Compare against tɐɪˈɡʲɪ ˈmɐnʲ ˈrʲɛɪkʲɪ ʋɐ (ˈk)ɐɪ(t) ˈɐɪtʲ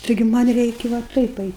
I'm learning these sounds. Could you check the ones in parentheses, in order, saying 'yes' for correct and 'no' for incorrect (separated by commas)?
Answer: no, no